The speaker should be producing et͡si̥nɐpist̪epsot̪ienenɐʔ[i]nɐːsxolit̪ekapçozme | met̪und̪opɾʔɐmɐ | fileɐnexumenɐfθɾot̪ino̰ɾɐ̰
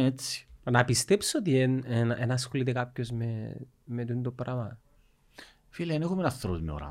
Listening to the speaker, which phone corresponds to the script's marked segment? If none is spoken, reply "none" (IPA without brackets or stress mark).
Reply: e